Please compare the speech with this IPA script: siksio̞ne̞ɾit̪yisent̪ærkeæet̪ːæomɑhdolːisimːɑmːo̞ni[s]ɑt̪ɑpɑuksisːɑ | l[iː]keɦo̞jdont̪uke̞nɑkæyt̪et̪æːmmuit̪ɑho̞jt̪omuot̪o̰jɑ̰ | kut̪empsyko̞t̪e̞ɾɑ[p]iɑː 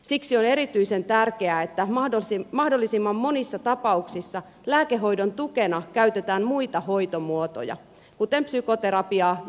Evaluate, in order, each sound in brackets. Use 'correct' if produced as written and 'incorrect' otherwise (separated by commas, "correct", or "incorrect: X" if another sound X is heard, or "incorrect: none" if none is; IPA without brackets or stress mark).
incorrect: sː, incorrect: æː, correct